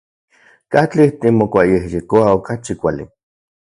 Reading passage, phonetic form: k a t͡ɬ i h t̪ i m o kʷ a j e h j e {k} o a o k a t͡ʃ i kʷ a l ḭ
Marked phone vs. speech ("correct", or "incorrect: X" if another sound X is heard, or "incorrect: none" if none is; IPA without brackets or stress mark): correct